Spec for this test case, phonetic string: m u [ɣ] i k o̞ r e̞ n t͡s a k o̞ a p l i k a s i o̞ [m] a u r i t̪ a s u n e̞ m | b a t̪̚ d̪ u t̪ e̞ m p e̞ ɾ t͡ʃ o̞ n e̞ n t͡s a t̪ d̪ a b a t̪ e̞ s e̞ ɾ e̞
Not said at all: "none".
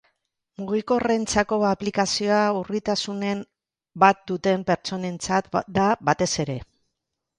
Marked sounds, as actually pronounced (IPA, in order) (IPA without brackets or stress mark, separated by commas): ɣ, none